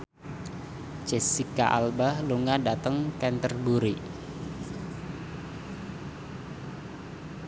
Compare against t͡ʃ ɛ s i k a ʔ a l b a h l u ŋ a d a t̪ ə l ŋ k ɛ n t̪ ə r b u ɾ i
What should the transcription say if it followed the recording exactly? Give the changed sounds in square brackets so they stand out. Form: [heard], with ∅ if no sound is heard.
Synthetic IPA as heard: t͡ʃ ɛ s i k a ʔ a l b a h l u ŋ a d a t̪ ə [∅] ŋ k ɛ n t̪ ə r b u ɾ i